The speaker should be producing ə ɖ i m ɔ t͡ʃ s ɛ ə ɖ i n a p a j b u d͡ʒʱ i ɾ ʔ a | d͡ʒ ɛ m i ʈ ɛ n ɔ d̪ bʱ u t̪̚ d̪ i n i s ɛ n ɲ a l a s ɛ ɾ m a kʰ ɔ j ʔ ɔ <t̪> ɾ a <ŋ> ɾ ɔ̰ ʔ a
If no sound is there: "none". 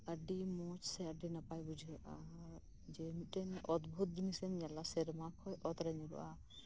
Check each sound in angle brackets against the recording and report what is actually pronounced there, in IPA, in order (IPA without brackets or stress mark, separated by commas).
t̪, ɲ